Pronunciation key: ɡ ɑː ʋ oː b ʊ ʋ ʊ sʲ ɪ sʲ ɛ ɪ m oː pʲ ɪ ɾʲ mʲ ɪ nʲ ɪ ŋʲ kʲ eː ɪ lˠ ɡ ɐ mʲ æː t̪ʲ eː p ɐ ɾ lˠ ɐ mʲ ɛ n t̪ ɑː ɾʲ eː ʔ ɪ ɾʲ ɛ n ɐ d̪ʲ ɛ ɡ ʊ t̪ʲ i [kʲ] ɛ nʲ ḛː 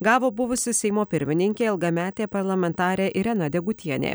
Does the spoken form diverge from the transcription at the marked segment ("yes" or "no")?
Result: yes